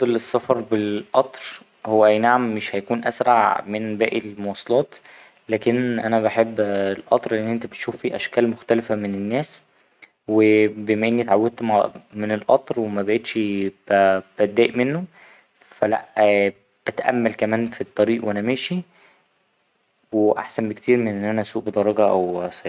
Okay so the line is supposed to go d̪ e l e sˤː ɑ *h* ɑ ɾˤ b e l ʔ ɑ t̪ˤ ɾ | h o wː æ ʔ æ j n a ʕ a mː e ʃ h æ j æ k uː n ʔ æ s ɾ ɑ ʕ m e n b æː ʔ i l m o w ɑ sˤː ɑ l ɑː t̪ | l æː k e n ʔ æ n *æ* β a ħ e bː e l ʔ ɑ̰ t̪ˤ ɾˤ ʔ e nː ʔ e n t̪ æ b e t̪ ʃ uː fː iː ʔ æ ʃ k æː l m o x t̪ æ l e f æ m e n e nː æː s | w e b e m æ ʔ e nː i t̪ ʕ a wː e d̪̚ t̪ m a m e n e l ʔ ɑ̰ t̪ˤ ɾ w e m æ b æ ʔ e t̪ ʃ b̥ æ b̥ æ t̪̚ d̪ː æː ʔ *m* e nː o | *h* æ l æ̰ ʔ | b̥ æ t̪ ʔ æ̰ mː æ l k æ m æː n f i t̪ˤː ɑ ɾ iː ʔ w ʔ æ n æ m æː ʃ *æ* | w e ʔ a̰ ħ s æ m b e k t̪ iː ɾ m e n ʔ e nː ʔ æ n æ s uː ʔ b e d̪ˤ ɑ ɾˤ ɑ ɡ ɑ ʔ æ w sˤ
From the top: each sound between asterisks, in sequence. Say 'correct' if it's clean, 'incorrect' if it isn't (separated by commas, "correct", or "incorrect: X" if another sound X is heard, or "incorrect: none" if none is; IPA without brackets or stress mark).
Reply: incorrect: f, correct, correct, incorrect: f, incorrect: i